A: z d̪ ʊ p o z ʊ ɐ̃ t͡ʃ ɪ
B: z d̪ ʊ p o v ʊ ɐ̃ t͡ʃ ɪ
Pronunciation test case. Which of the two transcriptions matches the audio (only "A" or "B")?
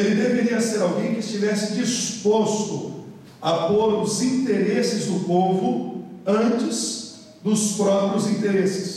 B